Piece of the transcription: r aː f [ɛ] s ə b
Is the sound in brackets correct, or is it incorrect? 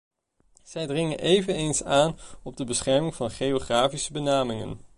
incorrect: i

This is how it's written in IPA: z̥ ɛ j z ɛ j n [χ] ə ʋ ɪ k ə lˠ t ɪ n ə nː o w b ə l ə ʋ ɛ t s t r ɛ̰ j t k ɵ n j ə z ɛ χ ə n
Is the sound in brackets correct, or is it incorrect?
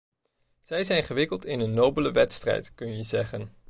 correct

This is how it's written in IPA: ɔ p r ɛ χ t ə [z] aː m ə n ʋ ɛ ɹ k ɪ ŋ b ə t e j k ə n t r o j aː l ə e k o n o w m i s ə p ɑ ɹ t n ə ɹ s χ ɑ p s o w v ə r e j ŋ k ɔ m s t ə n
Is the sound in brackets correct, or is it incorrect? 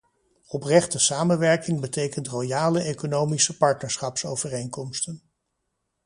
incorrect: s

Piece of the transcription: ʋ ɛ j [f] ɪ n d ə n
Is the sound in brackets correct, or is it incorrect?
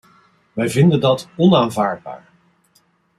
incorrect: v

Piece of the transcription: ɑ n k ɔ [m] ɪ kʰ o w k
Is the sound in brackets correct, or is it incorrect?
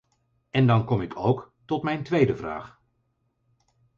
correct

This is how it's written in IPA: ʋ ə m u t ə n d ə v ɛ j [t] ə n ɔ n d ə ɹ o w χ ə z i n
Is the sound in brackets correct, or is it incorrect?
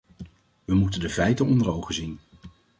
correct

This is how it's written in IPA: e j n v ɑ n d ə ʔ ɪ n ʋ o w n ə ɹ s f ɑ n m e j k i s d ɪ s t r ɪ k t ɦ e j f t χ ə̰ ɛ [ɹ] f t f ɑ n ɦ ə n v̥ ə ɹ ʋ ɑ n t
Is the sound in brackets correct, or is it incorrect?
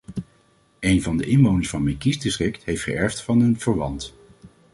correct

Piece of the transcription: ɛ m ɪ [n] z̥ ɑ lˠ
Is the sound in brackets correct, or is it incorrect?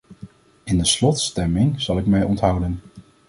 incorrect: ŋ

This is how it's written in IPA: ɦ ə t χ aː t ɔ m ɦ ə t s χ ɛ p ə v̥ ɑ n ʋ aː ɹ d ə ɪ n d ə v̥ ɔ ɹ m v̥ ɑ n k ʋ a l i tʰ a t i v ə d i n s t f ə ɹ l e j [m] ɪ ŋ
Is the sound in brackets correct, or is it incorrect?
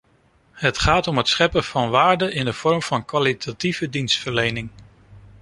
incorrect: n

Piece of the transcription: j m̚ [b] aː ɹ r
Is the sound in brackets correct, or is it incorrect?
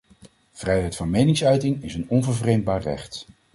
correct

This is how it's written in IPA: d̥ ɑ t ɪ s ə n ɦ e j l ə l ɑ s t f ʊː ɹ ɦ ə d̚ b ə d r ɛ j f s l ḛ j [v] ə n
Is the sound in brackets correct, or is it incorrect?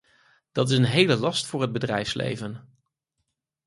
correct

